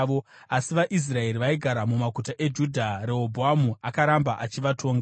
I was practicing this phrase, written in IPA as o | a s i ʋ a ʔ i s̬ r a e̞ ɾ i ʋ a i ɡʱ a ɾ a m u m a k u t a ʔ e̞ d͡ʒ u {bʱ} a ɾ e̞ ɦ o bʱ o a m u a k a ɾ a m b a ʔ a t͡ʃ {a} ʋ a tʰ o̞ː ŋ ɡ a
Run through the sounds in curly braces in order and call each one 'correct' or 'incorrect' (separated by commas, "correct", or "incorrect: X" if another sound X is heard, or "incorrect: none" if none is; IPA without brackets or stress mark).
incorrect: dʱ, incorrect: i